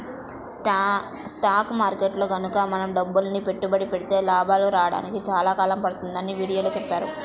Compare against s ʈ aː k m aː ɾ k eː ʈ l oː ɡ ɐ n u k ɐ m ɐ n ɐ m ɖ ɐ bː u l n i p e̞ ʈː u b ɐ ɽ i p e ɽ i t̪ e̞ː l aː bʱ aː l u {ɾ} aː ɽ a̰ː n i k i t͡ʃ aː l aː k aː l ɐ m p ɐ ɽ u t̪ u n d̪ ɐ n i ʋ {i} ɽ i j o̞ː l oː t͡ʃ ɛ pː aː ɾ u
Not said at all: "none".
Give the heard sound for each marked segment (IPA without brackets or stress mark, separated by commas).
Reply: ɾ, iː